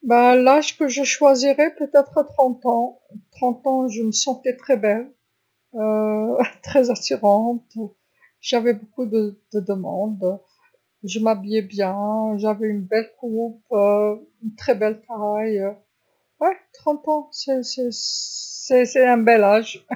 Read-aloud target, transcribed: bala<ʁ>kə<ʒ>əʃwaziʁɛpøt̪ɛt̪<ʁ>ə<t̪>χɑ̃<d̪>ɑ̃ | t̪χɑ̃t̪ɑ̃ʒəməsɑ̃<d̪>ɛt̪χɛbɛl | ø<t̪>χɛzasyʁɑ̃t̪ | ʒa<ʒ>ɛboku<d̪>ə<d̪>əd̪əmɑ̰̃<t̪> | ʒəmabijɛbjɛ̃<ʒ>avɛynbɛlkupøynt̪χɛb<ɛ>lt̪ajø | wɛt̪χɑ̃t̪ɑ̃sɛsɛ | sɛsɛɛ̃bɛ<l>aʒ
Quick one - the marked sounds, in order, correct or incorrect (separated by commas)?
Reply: incorrect, correct, incorrect, correct, incorrect, incorrect, correct, incorrect, correct, correct, incorrect, correct, correct, correct